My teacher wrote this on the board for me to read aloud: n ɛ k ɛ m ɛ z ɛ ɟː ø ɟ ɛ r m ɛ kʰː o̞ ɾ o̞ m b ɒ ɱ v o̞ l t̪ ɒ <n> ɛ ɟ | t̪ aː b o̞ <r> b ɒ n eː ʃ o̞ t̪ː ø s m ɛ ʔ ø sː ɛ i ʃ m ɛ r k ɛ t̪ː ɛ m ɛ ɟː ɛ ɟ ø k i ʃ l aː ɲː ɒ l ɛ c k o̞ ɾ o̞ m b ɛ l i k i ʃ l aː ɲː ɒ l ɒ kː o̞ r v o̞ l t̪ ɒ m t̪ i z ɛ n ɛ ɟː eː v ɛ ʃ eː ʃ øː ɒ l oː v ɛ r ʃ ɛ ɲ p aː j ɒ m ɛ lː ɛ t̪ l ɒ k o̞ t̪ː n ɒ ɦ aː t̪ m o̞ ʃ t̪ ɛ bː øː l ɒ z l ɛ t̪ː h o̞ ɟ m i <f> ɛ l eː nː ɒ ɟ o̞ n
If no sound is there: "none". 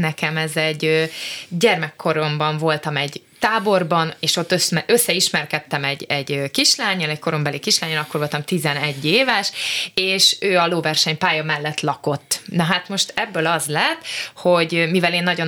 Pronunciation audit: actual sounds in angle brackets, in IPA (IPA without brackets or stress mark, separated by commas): m, r, v